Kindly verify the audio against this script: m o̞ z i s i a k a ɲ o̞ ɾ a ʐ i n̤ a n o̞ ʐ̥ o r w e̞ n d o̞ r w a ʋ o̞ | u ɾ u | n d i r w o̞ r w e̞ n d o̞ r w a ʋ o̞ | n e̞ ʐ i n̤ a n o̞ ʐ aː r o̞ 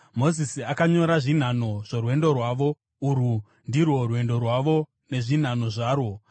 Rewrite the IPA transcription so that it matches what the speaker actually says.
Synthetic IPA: m o̞ z i s i a k a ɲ o̞ ɾ a ʐ i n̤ a n o̞ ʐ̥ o r w e̞ n d o̞ r w a ʋ o̞ | u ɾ u | n d i r w o̞ r w e̞ n d o̞ r w a ʋ o̞ | n e̞ ʐ i n̤ a n o̞ ʐ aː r o̞